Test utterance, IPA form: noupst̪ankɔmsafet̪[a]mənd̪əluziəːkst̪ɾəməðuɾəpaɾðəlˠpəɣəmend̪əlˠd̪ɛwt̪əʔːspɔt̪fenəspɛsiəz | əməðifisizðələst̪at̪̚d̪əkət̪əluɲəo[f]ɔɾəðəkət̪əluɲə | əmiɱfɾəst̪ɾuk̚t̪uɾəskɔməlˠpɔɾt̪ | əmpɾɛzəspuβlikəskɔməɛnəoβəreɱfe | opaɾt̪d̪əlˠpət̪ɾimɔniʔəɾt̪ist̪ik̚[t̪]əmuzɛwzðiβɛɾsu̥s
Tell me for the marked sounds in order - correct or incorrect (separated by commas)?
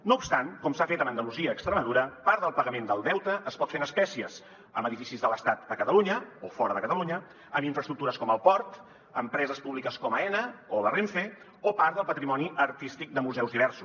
incorrect, correct, incorrect